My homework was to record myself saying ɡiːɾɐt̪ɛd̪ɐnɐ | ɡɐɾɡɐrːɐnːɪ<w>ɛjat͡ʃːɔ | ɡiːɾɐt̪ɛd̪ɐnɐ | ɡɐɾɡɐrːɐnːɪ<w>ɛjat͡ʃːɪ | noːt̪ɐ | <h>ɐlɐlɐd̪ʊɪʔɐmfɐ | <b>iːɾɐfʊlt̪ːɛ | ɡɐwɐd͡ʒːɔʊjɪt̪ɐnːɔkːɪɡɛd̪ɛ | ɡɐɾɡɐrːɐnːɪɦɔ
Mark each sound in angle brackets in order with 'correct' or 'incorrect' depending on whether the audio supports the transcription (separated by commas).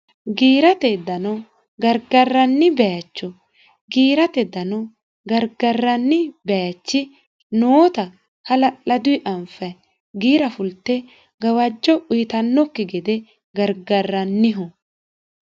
incorrect, incorrect, correct, incorrect